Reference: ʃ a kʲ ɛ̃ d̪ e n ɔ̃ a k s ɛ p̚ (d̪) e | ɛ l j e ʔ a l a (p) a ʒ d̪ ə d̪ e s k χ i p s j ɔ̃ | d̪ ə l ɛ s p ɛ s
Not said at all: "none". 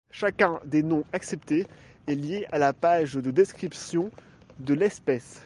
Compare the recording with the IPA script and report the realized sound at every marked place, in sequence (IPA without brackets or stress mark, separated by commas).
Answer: t̪, p